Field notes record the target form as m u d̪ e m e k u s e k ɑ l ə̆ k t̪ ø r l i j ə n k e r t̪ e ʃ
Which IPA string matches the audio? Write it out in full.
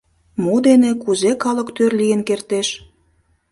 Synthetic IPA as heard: m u d̪ e n e k u z e k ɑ l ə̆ k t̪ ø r l i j ə n k e r t̪ e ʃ